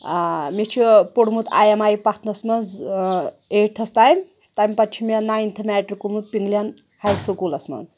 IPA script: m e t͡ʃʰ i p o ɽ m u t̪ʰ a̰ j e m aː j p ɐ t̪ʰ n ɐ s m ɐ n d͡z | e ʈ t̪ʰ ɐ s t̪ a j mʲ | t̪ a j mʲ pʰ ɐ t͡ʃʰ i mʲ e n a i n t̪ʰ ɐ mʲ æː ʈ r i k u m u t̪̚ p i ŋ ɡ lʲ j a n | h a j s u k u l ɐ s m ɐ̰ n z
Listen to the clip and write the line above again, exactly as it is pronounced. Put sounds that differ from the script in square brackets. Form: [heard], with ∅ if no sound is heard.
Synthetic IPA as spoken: m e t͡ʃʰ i p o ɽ m u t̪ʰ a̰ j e m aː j p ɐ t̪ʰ n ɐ s m ɐ n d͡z | e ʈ t̪ʰ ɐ s t̪ a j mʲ | t̪ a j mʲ [p] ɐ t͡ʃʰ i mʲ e n a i n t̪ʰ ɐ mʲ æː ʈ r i k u m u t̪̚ p i ŋ ɡ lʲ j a n | h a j s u k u l ɐ s m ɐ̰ n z